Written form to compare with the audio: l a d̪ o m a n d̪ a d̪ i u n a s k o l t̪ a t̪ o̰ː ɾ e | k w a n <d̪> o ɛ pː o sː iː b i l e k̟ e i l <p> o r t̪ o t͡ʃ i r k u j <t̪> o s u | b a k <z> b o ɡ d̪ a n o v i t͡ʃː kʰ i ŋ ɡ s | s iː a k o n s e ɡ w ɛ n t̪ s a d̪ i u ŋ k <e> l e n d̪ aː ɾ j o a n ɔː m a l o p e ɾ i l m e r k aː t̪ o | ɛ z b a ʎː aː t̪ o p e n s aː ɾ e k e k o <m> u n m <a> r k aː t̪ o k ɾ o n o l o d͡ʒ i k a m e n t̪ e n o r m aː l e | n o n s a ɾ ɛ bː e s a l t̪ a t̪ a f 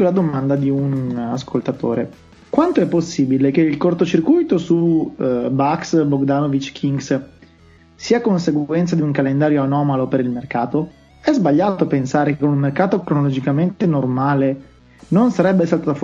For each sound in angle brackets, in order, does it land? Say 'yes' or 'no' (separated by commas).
no, no, yes, no, no, no, no